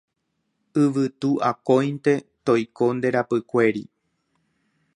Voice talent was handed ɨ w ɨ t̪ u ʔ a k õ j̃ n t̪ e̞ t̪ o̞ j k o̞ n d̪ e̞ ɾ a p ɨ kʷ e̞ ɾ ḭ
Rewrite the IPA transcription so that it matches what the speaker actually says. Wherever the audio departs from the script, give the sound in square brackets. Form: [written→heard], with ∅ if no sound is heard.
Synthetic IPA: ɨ [w→ʋ] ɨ t̪ u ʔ a k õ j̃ n t̪ e̞ t̪ o̞ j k o̞ n d̪ e̞ ɾ a p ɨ kʷ e̞ ɾ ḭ

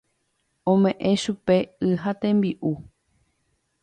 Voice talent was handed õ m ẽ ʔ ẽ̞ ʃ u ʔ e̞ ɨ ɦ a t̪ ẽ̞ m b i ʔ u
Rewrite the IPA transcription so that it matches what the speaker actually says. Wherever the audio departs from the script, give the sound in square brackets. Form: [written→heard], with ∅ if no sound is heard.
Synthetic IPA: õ m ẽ ʔ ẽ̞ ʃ u [ʔ→p] e̞ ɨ ɦ a t̪ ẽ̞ m b i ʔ u

